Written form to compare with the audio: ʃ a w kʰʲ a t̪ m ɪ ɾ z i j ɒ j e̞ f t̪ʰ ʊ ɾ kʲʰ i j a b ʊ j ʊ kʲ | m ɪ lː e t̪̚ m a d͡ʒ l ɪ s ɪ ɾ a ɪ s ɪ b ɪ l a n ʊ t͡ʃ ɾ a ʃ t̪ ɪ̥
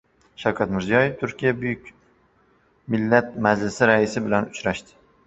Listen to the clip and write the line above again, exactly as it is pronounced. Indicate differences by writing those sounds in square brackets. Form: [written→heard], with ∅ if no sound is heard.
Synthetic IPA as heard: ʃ a w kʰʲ a t̪ m ɪ ɾ z i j ɒ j e̞ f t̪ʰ ʊ ɾ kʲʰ i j a b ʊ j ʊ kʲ | m ɪ lː [e→a] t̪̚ m a d͡ʒ l ɪ s ɪ ɾ a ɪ s ɪ b ɪ l a n ʊ t͡ʃ ɾ a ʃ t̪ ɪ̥